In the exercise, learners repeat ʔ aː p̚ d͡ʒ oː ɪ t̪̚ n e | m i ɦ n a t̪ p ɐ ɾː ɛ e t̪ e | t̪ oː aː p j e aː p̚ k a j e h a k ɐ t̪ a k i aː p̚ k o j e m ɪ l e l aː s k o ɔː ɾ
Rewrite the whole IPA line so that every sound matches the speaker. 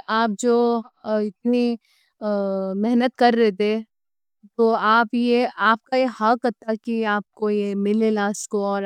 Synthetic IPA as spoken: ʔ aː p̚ d͡ʒ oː ɪ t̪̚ n i | m ɛ ɦ n ə t̪ k ɐ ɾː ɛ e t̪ e | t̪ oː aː p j e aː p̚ k a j e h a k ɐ t̪ a k i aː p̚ k o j e m ɪ l e l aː s k o ɔː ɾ